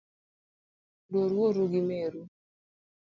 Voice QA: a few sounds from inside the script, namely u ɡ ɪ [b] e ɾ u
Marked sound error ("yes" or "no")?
yes